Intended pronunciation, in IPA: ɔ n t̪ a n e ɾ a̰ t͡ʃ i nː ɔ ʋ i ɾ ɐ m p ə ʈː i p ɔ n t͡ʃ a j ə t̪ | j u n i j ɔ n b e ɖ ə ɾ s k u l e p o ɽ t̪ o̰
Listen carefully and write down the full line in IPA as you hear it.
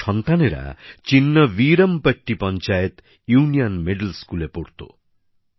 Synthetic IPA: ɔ n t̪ a n e ɾ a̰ t͡ʃ i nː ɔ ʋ i ɾ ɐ m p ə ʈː i p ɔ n t͡ʃ a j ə t̪ | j u n i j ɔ n m e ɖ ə l s k u l e p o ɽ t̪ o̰